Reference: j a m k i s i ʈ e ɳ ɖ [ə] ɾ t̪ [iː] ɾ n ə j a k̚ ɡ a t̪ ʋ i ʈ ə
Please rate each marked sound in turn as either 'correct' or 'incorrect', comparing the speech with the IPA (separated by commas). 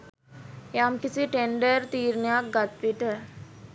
correct, correct